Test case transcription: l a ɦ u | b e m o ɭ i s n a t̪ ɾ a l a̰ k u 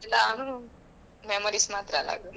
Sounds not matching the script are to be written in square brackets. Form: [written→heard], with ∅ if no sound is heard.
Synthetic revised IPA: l a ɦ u | [b→m] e m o [ɭ→ɾ] i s [n→m] a t̪ ɾ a l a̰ [k→ɡ] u